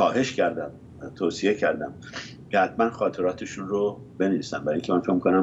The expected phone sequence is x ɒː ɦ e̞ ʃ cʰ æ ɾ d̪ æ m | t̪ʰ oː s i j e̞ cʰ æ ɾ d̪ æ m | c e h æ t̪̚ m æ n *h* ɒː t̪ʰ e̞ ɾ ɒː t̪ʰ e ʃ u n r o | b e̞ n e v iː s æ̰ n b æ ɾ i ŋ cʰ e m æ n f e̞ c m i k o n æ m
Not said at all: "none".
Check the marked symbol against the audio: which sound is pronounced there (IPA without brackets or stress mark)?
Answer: x